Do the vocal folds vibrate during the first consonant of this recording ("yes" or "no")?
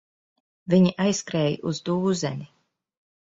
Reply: yes